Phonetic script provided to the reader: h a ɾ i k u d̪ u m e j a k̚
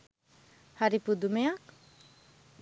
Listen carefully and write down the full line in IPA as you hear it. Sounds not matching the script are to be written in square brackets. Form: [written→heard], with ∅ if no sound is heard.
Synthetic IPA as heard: h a ɾ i [k→p] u d̪ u m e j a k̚